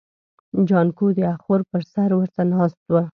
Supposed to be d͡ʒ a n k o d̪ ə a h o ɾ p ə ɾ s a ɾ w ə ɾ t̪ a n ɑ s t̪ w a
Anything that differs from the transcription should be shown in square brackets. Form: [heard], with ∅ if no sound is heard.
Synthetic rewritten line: d͡ʒ [ɑ] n k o d̪ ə a [x] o ɾ p ə ɾ s a ɾ w ə ɾ t̪ a n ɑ s t̪ w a